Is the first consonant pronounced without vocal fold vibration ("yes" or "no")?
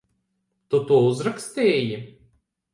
yes